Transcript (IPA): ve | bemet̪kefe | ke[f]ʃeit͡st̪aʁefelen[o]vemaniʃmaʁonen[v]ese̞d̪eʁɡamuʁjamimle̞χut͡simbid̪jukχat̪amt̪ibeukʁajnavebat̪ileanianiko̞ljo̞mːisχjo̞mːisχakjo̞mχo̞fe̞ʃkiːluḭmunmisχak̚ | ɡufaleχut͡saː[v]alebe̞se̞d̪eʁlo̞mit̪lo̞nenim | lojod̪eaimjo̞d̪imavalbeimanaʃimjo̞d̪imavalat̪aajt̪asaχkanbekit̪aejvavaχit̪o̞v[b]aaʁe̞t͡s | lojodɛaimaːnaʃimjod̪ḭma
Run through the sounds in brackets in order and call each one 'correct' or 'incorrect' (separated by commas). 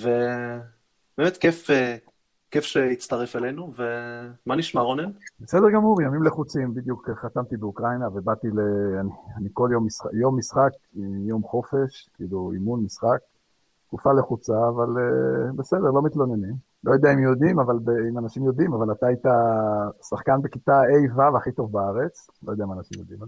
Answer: correct, incorrect, incorrect, correct, correct